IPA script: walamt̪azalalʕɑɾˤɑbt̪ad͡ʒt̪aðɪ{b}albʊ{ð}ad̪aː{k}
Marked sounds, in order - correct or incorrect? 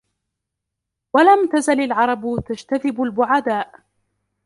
correct, incorrect: ʕ, incorrect: ʔ

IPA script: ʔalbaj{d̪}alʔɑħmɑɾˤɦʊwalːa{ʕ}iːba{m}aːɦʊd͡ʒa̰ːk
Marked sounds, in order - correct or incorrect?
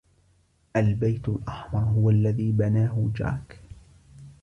incorrect: t̪, incorrect: ð, incorrect: n

